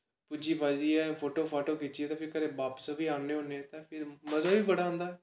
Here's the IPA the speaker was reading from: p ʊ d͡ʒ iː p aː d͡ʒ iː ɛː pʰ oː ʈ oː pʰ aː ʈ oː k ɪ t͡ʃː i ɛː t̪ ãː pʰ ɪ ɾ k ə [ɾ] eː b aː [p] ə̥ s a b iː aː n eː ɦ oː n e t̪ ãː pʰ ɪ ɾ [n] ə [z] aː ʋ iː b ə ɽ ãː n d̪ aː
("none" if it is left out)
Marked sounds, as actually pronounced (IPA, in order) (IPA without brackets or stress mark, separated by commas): ɾ, p, m, z